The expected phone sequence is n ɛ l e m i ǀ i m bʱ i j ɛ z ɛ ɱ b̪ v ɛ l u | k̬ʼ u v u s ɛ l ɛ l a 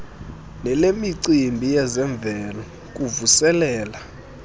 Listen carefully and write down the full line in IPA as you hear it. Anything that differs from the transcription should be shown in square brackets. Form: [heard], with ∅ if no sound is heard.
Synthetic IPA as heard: n ɛ l e m i ǀ i m bʱ i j ɛ z ɛ ɱ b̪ v ɛ l [ɔ] | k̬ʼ u v u s ɛ l [ɛː] l a